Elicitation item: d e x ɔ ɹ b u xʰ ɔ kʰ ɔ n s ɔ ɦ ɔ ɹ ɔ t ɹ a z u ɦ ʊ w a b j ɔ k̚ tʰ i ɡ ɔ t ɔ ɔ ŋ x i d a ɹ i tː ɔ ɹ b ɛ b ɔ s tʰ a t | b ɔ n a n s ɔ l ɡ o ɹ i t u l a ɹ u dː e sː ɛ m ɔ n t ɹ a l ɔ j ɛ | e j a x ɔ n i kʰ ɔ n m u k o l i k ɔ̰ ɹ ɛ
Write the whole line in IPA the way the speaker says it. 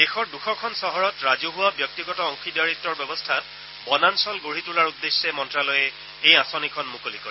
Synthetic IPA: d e x ɔ ɹ d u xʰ ɔ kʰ ɔ n s ɔ ɦ ɔ ɹ ɔ t ɹ a z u ɦ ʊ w a b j ɔ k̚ t i ɡ ɔ t ɔ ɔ ŋ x i d a ɹ i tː ɔ ɹ b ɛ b ɔ s tʰ a t | b ɔ n a n s ɔ l ɡ o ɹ i t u l a ɹ u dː e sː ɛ m ɔ n t ɹ a l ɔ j ɛ | e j a s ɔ n i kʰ ɔ n m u k o l i k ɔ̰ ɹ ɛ